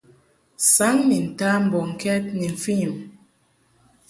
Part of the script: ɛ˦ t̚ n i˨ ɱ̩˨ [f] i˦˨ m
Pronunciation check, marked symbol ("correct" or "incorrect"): correct